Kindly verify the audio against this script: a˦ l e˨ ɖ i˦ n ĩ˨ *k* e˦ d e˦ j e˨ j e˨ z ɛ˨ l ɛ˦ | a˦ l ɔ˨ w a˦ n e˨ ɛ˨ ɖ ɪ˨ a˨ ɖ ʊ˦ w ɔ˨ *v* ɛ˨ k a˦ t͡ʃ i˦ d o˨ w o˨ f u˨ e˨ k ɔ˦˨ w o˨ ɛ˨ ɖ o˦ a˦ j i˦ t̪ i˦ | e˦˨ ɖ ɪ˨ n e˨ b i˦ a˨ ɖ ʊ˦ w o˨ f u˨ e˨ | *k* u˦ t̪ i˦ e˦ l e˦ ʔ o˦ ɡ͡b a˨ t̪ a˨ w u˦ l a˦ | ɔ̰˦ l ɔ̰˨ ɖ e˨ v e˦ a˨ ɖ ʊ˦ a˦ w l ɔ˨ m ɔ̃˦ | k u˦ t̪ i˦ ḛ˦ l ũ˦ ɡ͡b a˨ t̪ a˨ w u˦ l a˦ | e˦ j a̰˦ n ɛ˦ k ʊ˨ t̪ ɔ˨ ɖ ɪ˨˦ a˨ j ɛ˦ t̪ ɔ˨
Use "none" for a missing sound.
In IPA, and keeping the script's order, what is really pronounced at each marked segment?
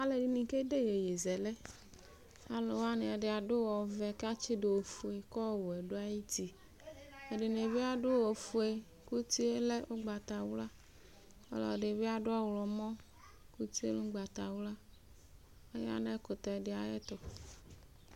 k, v, k

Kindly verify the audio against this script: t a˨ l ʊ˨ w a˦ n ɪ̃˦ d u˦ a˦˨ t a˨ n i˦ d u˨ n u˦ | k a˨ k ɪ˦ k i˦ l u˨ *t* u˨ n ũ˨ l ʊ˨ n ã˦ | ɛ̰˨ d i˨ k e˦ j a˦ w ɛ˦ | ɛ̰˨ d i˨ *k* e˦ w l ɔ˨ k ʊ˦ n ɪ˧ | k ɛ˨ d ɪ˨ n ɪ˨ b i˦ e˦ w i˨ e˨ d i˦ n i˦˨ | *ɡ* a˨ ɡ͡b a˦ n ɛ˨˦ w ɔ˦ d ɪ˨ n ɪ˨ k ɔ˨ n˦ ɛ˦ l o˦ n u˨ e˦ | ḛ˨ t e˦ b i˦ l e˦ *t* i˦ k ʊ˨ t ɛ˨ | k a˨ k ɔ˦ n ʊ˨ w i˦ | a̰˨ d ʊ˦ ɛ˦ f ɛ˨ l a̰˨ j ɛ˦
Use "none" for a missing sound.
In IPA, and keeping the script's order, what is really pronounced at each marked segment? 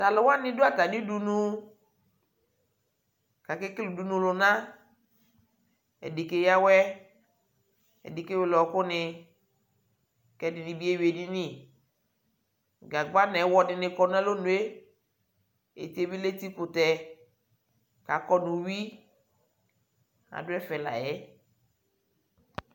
d, k, ɡ, t

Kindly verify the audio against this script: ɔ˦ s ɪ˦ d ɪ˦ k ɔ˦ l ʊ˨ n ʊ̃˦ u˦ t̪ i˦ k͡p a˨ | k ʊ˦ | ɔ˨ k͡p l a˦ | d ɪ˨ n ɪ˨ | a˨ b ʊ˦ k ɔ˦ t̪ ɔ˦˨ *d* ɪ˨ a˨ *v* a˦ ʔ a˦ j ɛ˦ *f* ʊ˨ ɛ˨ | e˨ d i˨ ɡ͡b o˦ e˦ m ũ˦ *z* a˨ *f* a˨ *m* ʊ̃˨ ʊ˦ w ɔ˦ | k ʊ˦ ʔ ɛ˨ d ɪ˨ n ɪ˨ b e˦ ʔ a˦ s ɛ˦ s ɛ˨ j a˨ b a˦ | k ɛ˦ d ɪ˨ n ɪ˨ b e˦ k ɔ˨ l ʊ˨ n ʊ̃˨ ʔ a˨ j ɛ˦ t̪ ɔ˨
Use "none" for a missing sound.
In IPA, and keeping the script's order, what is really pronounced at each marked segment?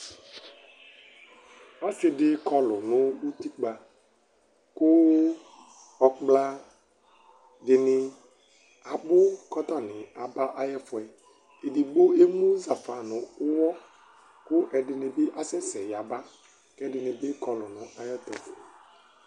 n, b, f, z, f, n

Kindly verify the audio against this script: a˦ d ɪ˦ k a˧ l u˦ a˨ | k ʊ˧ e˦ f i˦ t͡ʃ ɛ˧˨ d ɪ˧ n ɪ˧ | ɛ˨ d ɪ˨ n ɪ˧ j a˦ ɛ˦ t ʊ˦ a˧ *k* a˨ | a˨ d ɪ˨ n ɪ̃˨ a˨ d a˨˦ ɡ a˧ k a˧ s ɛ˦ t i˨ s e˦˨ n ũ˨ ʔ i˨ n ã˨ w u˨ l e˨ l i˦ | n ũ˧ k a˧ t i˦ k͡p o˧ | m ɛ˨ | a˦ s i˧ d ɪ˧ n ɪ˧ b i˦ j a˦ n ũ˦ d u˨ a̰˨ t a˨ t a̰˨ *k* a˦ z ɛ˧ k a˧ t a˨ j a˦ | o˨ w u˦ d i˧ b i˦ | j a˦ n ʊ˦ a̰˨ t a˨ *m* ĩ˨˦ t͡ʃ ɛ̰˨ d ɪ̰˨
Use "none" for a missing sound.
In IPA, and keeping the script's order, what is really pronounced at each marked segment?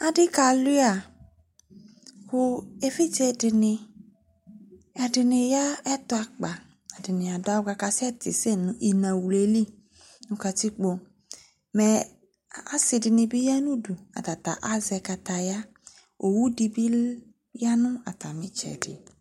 k͡p, ʔ, m

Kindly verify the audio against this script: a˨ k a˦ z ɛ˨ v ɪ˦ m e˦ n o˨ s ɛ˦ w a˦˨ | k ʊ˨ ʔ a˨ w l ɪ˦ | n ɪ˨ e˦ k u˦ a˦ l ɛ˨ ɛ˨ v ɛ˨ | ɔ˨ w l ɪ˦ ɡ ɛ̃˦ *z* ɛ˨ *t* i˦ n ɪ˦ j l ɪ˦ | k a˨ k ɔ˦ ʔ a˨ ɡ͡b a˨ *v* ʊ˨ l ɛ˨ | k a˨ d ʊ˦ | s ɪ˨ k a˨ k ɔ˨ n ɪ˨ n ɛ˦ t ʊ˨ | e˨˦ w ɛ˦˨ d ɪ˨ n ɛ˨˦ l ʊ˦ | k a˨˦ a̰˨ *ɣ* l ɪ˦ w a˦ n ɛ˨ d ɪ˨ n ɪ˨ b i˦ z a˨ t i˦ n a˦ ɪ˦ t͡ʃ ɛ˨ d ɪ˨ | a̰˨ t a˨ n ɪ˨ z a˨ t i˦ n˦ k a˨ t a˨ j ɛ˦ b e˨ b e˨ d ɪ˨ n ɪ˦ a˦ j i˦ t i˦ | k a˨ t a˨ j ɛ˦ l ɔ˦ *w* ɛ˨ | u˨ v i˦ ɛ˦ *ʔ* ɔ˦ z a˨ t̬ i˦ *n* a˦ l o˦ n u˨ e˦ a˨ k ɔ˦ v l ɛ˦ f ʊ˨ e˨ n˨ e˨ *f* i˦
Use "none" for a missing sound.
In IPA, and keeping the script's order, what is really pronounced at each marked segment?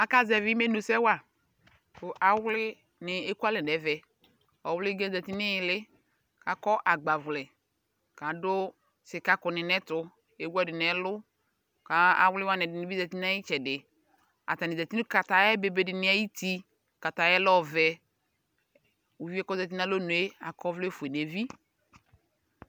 z, t, v, w, v, k, n, v

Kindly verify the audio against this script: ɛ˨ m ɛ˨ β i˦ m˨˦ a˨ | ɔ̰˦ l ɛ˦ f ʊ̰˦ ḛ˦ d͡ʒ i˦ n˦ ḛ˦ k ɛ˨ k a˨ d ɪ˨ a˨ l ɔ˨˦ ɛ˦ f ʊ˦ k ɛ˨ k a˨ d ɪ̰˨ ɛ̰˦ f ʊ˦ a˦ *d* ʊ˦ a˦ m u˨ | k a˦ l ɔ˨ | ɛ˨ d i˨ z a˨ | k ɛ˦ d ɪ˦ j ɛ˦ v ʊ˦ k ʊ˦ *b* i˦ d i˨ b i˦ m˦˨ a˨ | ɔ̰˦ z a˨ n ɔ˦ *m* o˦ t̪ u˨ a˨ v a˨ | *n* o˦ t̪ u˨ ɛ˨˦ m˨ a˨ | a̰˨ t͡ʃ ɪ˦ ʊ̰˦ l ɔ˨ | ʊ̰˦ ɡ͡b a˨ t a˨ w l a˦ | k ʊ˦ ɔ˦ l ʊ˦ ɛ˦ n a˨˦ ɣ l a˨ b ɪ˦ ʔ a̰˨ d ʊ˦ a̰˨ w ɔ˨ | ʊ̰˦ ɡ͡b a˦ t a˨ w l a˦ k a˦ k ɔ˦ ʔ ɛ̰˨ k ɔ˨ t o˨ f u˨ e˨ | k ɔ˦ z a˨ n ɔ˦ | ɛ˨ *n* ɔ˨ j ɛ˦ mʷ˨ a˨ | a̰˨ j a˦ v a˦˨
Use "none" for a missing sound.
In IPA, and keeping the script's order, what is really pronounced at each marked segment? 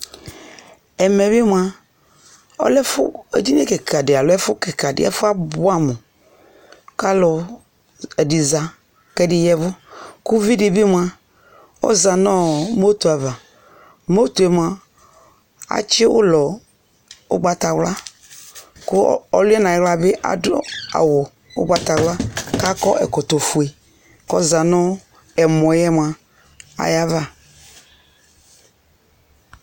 b, v, m, m, m

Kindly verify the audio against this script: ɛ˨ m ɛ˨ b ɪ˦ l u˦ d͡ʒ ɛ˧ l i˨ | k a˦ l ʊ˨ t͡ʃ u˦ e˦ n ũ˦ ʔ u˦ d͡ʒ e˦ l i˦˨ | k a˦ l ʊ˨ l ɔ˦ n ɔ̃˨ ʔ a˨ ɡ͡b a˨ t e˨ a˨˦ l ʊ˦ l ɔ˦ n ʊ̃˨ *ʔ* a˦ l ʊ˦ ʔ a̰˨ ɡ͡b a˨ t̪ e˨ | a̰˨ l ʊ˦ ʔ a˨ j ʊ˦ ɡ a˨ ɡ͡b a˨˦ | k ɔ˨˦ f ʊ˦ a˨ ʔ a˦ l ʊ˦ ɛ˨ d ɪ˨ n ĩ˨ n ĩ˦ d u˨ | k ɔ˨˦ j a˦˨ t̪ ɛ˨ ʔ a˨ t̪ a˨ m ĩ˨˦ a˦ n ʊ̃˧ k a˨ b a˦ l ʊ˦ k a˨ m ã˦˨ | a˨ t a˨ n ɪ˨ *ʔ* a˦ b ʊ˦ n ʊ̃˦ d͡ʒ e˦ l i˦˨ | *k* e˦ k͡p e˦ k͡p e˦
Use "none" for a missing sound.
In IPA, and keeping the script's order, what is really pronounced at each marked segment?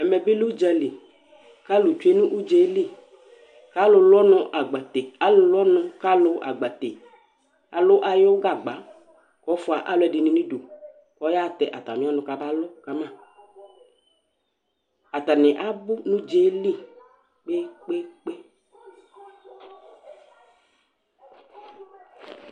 k, ʔ, k͡p

